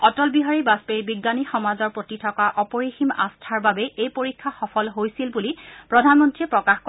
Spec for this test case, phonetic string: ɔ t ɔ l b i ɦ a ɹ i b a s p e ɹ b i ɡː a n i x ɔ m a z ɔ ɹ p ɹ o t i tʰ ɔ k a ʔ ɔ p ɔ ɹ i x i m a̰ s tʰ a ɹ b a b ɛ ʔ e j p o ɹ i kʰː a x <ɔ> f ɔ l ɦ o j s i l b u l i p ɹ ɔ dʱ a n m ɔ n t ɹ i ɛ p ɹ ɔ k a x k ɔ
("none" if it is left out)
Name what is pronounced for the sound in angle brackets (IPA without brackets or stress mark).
ɔ